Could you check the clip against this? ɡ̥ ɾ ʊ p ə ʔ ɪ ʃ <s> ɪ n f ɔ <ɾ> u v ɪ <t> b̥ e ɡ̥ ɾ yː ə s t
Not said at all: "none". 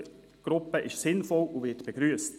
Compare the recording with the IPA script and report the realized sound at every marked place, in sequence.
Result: s, l, t

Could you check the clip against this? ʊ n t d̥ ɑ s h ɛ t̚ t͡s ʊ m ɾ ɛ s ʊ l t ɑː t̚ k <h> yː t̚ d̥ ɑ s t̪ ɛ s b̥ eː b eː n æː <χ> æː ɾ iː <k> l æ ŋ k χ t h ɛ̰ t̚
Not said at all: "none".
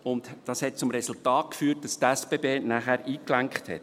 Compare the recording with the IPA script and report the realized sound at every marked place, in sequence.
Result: f, χ, k

